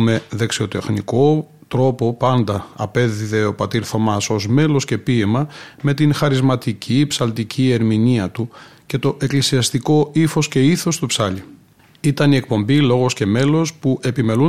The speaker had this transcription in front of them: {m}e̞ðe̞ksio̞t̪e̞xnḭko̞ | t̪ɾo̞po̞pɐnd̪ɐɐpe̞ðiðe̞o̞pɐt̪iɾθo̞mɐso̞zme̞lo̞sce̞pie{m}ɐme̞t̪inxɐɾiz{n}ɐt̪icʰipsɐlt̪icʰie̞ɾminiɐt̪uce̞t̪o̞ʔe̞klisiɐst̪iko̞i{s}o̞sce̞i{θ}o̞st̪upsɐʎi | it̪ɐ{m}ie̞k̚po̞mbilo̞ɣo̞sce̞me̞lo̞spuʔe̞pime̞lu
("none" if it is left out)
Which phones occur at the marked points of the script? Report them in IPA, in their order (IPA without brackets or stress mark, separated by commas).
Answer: m, m, m, f, θ, n